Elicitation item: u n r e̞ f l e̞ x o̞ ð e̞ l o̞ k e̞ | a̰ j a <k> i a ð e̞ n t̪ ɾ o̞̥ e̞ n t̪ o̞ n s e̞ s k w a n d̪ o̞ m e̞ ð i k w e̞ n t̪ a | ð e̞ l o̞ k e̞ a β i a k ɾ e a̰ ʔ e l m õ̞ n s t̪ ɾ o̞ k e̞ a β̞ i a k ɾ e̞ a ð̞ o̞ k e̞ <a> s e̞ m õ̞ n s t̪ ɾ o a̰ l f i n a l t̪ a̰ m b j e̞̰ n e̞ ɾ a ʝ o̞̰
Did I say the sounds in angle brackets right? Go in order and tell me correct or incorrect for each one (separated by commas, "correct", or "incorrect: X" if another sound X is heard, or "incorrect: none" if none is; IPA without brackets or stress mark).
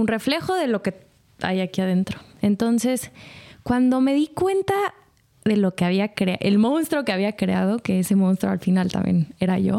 correct, incorrect: e